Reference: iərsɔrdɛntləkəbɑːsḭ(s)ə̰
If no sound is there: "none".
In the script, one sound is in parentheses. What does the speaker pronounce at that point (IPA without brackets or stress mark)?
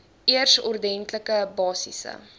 s